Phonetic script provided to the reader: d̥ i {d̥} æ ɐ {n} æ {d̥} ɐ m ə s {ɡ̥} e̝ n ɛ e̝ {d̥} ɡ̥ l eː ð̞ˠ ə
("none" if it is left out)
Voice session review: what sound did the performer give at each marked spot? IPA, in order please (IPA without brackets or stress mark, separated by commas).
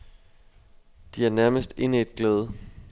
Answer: none, n, none, d̥, d̥